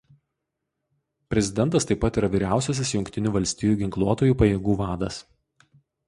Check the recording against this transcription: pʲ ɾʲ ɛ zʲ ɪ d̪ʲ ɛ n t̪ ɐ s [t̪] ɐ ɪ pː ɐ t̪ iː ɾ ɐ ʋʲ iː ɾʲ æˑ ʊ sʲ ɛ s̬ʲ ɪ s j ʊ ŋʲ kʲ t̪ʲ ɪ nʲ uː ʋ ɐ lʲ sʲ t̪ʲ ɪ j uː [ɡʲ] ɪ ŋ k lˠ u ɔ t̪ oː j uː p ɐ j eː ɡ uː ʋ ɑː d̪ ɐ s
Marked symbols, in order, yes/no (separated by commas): yes, yes